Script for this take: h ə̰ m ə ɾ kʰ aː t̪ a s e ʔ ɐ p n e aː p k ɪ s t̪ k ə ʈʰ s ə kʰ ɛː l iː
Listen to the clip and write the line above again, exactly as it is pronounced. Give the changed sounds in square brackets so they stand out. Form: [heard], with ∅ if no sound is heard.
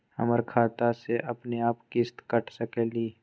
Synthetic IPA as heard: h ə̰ m ə ɾ kʰ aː t̪ a s e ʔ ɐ p n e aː p k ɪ s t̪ k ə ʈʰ s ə [k] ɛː l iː